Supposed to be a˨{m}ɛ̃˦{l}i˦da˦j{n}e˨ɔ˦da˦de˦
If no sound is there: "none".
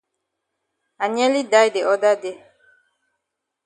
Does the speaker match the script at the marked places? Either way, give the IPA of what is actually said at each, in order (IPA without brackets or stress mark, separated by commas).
ɲ, l, d